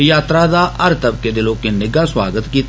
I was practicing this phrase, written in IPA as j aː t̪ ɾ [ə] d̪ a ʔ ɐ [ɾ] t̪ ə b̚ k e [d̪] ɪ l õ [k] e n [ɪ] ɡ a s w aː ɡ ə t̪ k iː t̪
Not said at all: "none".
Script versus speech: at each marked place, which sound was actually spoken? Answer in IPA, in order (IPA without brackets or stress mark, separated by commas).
a, ɾ, d̪, k, ɪ